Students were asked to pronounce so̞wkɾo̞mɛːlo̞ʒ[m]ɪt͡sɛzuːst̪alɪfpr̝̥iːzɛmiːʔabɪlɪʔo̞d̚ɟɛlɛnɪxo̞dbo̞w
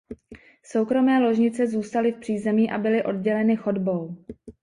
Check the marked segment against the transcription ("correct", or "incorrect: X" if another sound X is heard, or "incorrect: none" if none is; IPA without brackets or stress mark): incorrect: ɲ